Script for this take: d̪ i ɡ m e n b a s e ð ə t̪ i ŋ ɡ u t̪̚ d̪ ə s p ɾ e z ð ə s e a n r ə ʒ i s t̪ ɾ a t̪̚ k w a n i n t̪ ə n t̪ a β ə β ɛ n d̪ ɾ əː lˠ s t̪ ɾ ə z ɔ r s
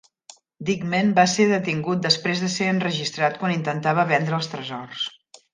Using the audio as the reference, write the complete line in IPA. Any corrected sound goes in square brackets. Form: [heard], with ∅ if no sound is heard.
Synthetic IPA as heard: d̪ i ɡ m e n b a s e ð ə t̪ i ŋ ɡ u t̪̚ d̪ ə s p ɾ e z ð ə s e [ə] n r ə ʒ i s t̪ ɾ a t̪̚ k w a n i n t̪ ə n t̪ a β ə β ɛ n d̪ ɾ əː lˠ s t̪ ɾ ə z ɔ r s